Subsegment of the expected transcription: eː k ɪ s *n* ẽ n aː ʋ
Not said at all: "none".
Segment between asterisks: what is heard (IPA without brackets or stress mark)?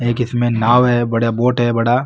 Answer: m